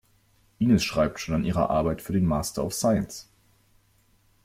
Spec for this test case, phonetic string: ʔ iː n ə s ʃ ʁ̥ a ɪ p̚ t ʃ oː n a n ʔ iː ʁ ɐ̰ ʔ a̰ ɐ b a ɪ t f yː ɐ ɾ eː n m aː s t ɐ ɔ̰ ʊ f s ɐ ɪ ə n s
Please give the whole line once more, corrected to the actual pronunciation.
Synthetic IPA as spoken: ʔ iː n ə s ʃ ʁ̥ a ɪ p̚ t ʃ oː n a n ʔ iː ʁ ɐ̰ ʔ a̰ ɐ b a ɪ t f yː ɐ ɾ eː n m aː s t ɐ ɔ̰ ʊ f s a ɪ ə n s